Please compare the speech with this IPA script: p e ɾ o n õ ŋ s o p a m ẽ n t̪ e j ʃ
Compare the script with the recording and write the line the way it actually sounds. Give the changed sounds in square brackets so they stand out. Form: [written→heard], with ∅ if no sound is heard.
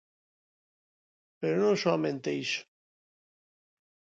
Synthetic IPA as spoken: p e ɾ o n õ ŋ s o [p→∅] a m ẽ n t̪ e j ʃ